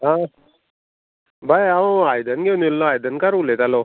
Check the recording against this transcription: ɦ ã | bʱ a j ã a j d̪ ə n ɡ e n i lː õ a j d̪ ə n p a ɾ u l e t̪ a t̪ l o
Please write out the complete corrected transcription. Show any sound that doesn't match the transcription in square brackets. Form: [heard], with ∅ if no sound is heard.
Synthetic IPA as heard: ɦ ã | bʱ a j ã a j d̪ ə n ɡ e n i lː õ a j d̪ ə n [k] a ɾ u l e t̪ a [∅] l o